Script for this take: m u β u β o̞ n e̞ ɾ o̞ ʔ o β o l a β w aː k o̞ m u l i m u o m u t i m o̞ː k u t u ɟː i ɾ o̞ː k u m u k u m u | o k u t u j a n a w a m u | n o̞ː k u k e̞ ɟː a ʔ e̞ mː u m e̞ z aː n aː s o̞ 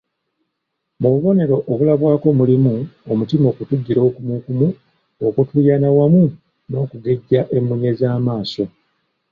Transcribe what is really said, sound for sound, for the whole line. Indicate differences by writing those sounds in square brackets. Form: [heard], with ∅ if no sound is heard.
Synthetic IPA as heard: m u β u β o̞ n e̞ ɾ o̞ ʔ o β [u] l a β w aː k o̞ m u l i m u o m u t i m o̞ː k u t u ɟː i ɾ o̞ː k u m u k u m u | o k u t u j a n a w a m u | n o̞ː k u [ɡ] e̞ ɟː a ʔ e̞ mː u [ɲ] e̞ z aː [m] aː s o̞